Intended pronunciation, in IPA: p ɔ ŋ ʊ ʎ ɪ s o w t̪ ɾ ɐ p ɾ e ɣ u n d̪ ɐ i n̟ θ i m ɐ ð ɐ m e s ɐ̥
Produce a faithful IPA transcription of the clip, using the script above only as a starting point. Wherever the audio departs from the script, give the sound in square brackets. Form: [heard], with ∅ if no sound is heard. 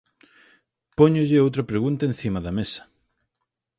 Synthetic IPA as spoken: p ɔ [ɲ] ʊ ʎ ɪ [∅] o w t̪ ɾ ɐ p ɾ e ɣ u n [t̪] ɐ [e] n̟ θ i m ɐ ð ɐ m e s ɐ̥